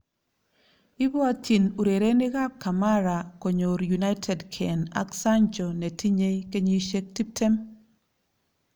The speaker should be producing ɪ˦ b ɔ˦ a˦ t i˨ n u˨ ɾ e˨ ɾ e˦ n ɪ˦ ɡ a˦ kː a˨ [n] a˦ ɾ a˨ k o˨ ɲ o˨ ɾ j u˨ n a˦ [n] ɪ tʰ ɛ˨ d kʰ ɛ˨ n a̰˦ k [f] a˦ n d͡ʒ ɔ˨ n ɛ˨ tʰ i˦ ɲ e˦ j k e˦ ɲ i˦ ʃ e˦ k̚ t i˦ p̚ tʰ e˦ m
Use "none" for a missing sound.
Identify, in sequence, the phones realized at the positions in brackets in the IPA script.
m, none, s

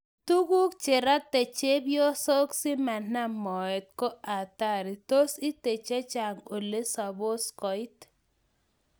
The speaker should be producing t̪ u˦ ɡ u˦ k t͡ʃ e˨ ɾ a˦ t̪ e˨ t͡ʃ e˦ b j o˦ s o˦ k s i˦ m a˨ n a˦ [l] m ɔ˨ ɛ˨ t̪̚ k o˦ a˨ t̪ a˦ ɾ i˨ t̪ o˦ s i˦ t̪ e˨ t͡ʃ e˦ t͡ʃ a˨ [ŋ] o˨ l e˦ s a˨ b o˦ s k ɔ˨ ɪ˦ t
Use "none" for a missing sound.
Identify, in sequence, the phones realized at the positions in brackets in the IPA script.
none, ŋ

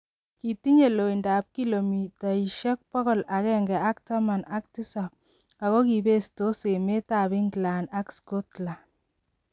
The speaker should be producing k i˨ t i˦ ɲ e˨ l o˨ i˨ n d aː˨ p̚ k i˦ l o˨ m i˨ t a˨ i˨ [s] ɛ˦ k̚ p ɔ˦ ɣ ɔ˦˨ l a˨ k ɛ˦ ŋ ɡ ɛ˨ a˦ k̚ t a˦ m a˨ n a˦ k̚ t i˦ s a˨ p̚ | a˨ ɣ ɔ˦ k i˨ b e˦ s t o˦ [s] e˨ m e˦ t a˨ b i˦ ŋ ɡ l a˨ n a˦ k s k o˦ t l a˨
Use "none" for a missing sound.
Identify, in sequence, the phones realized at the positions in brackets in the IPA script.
ʃ, s

